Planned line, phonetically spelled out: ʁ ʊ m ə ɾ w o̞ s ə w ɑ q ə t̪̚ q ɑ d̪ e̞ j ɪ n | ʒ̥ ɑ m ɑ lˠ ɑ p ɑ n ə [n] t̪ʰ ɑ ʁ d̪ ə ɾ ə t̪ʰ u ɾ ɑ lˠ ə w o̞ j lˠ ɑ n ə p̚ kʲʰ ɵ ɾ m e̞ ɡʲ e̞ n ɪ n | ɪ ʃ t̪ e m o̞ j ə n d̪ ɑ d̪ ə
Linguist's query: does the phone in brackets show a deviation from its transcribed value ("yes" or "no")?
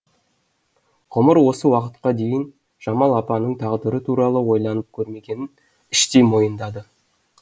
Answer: yes